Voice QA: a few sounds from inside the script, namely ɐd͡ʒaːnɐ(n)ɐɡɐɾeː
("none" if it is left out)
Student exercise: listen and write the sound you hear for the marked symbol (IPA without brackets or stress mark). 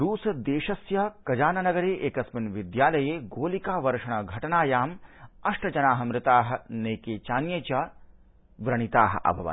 n